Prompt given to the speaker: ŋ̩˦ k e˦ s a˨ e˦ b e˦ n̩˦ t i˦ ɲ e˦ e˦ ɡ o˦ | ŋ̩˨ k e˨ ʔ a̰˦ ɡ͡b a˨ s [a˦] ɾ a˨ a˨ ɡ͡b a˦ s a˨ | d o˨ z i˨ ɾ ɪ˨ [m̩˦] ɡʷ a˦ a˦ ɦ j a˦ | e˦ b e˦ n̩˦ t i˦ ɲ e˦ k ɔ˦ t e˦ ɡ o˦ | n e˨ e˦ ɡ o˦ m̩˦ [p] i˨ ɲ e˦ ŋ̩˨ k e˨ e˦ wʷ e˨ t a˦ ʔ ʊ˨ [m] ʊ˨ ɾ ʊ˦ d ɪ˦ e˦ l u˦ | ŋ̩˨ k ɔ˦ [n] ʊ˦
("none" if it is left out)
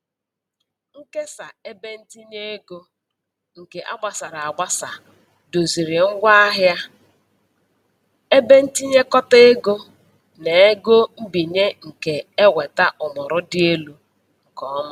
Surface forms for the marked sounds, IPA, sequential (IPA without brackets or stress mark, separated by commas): a˨, ŋ̩˦, b, m, m